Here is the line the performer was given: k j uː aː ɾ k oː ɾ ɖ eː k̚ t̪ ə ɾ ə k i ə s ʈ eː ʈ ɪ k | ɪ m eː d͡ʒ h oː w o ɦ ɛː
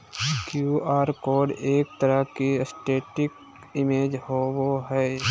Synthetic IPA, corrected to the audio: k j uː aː ɾ k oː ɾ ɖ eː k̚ t̪ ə ɾ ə k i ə s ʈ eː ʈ ɪ k | ɪ m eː d͡ʒ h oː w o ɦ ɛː